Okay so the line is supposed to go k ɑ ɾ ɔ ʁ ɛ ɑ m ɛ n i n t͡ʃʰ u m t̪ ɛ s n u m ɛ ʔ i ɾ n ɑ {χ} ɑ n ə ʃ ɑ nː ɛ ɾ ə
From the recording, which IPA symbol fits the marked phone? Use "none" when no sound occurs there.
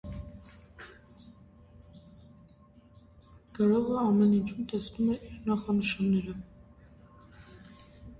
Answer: χ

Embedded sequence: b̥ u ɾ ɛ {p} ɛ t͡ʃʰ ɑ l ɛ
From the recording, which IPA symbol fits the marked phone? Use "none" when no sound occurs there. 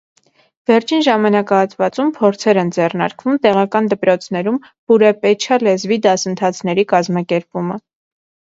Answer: p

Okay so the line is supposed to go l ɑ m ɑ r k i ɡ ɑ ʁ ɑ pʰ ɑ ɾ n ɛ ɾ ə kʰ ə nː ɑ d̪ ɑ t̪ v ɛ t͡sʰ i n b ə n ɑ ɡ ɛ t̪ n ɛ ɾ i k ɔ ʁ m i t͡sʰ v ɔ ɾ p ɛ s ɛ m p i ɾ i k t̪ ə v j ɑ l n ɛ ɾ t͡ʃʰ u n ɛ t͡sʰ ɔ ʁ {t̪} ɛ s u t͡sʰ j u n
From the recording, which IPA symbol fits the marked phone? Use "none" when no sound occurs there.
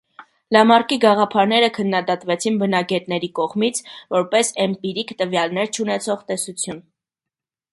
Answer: t̪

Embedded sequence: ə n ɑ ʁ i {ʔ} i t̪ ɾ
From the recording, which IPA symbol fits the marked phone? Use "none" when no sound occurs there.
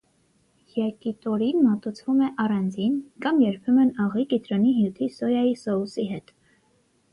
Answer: k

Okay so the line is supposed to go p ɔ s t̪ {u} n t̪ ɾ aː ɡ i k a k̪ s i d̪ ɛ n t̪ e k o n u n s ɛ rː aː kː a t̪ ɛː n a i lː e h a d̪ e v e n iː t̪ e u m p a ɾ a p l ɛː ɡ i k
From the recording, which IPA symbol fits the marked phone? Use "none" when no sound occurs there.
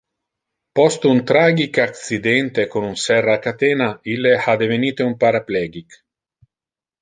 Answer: u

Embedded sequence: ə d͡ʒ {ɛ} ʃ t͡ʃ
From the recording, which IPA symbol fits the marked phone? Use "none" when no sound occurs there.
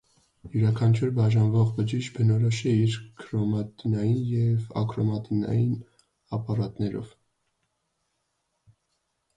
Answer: i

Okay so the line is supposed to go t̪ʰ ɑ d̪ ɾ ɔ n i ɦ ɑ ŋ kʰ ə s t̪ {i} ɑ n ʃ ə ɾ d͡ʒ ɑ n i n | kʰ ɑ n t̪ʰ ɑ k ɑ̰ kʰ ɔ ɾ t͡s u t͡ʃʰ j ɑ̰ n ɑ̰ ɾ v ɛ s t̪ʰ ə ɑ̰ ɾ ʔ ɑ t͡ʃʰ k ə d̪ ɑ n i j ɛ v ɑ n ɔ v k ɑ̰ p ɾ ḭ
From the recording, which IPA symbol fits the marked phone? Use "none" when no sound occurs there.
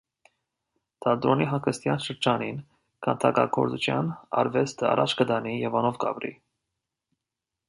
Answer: j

